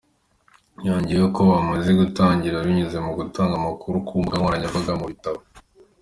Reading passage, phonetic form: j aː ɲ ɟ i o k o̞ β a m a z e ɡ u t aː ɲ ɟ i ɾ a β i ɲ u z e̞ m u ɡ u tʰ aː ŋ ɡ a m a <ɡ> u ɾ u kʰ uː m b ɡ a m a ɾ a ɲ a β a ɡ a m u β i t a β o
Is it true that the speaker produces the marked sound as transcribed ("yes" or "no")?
no